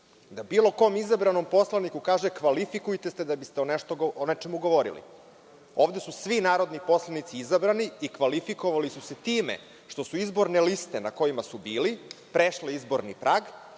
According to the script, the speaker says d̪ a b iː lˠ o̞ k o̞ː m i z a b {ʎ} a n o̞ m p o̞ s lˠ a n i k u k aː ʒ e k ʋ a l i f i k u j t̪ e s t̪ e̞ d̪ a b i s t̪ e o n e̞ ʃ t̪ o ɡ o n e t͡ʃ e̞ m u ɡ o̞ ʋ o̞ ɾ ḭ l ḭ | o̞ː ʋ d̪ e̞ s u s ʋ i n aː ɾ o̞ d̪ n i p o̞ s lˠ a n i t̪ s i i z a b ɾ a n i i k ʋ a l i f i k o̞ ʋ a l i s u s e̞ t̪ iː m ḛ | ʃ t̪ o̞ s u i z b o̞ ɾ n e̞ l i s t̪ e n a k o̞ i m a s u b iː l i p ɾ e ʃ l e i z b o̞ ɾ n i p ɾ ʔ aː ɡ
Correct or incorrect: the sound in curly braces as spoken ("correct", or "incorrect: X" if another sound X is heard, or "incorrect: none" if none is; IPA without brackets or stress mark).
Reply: incorrect: ɾ